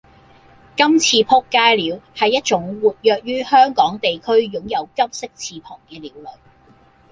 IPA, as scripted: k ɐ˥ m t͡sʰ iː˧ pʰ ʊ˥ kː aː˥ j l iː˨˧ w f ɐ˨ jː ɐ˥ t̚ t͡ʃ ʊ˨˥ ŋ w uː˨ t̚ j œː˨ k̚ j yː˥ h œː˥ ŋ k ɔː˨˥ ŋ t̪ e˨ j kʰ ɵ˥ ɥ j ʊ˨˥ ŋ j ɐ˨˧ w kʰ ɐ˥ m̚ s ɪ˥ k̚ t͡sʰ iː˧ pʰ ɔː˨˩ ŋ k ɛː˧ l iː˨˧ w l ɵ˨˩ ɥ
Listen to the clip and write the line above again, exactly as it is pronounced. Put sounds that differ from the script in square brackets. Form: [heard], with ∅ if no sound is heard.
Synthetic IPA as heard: k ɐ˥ m t͡sʰ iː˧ pʰ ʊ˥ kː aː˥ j l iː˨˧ w [h] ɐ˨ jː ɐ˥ t̚ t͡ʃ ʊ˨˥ ŋ w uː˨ t̚ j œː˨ k̚ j yː˥ h œː˥ ŋ k ɔː˨˥ ŋ t̪ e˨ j kʰ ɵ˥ ɥ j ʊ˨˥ ŋ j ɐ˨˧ w [k] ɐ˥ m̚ s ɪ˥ k̚ t͡sʰ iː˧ pʰ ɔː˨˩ ŋ k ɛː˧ l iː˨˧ w l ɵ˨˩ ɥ

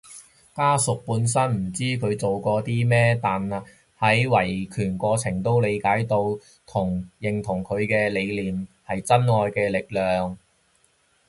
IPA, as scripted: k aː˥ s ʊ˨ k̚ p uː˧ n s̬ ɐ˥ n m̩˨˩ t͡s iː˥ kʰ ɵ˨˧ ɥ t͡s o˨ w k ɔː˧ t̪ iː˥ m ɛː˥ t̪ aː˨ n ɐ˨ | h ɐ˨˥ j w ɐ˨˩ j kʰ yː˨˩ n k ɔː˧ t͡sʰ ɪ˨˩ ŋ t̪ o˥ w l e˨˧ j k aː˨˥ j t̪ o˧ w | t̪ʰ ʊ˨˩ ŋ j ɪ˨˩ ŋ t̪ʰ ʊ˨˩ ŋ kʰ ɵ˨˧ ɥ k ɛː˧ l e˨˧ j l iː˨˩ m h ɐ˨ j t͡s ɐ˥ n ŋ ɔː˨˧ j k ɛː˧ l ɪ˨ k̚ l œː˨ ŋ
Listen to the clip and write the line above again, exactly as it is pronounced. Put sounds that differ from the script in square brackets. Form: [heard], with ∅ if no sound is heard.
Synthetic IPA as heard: k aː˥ s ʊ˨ k̚ p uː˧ n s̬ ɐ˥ n m̩˨˩ t͡s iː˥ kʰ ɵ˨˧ ɥ t͡s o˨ w k ɔː˧ t̪ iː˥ m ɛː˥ t̪ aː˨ n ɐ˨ | h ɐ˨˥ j w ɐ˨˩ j kʰ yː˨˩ n k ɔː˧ t͡sʰ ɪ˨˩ ŋ t̪ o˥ w l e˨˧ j k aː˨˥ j t̪ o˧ w | t̪ʰ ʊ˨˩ ŋ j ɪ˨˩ ŋ t̪ʰ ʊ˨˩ ŋ kʰ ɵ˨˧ ɥ k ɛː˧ l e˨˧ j l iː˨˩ m h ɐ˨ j t͡s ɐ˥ n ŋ ɔː˨˧ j k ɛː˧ l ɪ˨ k̚ l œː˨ ŋ

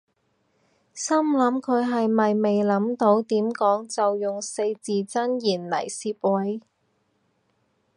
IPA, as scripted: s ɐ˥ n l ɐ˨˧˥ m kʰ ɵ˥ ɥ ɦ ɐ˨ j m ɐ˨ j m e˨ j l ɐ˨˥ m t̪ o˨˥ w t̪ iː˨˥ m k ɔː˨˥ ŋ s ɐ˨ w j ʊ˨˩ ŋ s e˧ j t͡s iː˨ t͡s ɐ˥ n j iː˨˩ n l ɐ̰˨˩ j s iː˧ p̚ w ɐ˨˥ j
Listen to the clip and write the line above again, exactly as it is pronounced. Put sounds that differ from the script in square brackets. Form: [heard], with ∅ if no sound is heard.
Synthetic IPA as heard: s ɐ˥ [m] l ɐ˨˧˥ m kʰ [ɵ˨˧] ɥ ɦ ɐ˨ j m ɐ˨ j m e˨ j l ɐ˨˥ m t̪ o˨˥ w t̪ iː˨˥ m k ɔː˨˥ ŋ [t͡s] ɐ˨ w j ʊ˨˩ ŋ s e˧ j t͡s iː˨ t͡s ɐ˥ n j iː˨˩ n l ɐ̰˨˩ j s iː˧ p̚ w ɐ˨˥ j

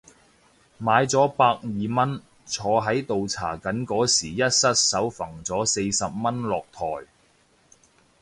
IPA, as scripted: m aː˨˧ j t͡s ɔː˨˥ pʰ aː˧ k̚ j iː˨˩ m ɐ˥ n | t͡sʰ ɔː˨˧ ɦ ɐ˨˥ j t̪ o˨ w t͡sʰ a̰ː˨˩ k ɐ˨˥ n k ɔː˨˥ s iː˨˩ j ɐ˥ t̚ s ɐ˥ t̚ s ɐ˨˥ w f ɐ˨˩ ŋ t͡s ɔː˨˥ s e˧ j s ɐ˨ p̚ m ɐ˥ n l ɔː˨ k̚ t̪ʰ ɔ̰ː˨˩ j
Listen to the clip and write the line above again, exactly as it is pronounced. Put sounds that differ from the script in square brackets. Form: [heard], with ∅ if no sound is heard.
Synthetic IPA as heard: m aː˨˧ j t͡s ɔː˨˥ [p] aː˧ k̚ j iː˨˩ m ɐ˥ n | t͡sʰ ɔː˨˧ ɦ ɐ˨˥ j t̪ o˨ w t͡sʰ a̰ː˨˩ k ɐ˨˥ n k ɔː˨˥ s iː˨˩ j ɐ˥ t̚ s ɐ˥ t̚ s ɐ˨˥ w f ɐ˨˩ ŋ t͡s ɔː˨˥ s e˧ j s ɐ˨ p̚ m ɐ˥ n l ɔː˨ k̚ t̪ʰ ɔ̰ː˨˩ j

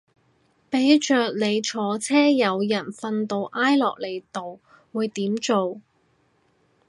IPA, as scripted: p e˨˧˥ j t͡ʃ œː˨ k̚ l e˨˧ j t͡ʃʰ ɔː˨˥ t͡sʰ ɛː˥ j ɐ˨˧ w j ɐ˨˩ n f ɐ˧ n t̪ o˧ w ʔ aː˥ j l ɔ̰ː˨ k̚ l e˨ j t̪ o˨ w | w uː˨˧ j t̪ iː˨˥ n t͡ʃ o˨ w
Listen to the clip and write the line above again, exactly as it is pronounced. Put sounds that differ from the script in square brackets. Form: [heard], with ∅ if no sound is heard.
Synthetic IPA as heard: p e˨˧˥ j t͡ʃ œː˨ k̚ l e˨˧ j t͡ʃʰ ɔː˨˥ t͡sʰ ɛː˥ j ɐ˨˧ w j ɐ˨˩ n f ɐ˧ n t̪ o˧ w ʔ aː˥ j l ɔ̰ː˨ k̚ l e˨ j t̪ o˨ w | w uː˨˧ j t̪ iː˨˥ [m] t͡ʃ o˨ w

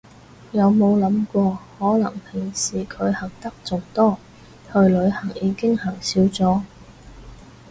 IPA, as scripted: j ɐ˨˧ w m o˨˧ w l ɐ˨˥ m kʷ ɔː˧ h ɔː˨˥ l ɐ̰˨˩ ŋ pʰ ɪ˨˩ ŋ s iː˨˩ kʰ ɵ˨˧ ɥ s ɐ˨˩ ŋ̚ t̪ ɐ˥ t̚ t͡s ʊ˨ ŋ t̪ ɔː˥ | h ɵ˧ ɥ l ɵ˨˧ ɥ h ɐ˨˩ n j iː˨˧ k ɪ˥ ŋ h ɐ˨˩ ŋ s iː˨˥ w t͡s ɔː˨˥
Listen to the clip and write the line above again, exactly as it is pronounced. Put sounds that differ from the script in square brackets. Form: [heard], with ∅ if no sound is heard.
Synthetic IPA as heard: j ɐ˨˧ w m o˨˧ w l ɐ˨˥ m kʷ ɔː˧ h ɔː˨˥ l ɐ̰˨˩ ŋ pʰ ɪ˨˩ ŋ s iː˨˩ kʰ ɵ˨˧ ɥ [h] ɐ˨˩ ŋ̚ t̪ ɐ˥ [k̚] t͡s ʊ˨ ŋ t̪ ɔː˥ | h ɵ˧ ɥ l ɵ˨˧ ɥ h ɐ˨˩ [ŋ] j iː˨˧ k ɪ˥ ŋ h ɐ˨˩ ŋ s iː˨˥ w t͡s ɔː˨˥

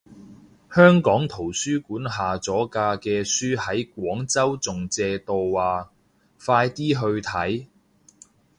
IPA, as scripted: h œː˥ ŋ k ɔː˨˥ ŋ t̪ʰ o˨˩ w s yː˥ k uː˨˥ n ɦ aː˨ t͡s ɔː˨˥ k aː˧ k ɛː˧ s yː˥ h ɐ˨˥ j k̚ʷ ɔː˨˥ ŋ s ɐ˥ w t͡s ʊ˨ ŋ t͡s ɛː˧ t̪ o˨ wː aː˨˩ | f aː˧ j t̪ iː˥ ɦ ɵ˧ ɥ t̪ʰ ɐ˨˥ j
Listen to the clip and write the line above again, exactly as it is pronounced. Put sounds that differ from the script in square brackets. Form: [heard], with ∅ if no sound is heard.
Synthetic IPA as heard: h œː˥ ŋ k ɔː˨˥ ŋ t̪ʰ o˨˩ w s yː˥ k uː˨˥ n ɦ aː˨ t͡s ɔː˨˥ k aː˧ k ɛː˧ s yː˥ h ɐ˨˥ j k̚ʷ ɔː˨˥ ŋ [t͡s] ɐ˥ w t͡s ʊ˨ ŋ t͡s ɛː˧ t̪ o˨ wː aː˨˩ | f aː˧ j t̪ iː˥ ɦ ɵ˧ ɥ t̪ʰ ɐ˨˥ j

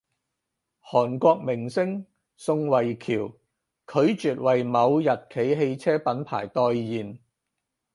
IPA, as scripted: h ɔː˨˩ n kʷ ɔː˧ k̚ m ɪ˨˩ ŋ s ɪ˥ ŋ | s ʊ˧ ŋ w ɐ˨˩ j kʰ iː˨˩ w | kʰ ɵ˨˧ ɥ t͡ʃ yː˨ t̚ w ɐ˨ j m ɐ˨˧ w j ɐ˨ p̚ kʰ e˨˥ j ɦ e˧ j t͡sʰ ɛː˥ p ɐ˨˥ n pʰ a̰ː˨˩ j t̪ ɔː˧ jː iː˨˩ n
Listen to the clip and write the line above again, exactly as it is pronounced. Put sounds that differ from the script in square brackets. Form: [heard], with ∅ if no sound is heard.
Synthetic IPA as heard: h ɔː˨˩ n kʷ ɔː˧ k̚ m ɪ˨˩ ŋ s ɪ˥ ŋ | s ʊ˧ ŋ w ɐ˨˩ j kʰ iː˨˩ w | kʰ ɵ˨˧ ɥ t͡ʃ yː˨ t̚ w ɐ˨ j m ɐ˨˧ w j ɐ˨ [t̚] kʰ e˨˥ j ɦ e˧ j t͡sʰ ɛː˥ p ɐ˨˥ n pʰ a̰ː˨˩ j t̪ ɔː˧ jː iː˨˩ n

